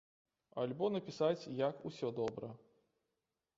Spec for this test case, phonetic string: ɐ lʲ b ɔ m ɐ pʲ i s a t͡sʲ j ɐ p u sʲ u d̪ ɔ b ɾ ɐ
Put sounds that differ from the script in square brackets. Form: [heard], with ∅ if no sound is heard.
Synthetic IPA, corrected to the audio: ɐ lʲ b ɔ [n] ɐ pʲ i s a t͡sʲ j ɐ [k] u sʲ [ɔ] d̪ ɔ b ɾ ɐ